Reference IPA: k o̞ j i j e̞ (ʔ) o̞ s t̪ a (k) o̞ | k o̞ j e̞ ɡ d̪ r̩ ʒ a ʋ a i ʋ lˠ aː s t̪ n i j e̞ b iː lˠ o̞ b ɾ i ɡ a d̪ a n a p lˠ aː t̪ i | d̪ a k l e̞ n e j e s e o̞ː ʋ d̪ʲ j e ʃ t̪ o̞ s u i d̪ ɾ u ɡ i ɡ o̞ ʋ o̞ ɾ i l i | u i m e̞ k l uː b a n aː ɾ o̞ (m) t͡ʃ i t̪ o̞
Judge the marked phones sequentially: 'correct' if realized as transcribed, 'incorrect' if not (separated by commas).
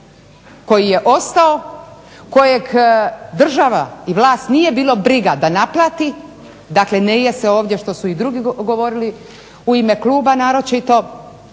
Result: correct, incorrect, incorrect